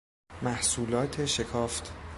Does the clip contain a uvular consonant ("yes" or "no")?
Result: no